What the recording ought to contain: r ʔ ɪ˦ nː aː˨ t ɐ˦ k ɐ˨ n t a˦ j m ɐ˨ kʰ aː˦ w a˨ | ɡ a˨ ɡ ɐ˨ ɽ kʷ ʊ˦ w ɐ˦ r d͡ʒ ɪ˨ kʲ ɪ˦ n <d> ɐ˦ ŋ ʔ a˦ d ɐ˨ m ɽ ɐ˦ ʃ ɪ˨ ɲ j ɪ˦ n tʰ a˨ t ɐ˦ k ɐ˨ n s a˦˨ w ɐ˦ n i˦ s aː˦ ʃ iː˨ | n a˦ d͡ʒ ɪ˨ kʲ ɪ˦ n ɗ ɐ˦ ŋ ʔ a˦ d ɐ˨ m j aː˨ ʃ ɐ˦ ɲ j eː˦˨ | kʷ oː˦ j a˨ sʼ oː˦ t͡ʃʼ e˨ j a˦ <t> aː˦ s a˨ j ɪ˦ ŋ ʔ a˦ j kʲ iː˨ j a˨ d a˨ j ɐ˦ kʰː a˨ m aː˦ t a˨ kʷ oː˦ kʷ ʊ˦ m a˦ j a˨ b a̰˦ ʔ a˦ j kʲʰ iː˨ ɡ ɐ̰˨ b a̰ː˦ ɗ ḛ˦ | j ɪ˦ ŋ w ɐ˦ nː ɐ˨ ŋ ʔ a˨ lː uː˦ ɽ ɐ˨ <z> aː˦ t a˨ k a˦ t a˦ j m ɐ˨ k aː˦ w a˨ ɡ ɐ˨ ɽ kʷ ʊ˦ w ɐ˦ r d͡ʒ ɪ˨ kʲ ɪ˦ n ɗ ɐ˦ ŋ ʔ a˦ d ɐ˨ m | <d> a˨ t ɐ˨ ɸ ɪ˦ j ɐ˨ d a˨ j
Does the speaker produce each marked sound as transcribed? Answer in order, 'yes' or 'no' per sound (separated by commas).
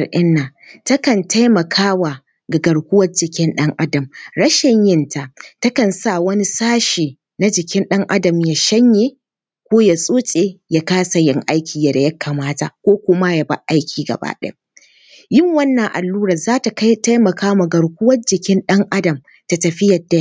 no, no, yes, no